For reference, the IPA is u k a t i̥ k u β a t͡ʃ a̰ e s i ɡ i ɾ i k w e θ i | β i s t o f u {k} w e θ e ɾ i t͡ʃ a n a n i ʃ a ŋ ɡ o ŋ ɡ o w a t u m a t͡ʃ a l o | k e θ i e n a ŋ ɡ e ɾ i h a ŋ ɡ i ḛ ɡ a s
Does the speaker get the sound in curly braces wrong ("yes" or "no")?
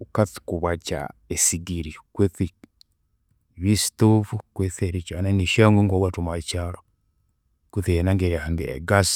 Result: no